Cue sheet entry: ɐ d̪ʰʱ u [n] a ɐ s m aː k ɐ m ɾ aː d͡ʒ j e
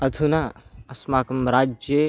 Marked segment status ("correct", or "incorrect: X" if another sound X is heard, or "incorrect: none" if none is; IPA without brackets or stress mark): correct